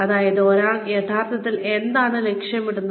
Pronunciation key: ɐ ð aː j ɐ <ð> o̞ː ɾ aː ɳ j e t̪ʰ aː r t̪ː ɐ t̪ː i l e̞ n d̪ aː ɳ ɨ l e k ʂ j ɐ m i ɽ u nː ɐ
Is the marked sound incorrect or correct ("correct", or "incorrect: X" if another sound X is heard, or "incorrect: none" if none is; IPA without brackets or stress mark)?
correct